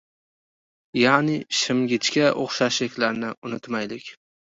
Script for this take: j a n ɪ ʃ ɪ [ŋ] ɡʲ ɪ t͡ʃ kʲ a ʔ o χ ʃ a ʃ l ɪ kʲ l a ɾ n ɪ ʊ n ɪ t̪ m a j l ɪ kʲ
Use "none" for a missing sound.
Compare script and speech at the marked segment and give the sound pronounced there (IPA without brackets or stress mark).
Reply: m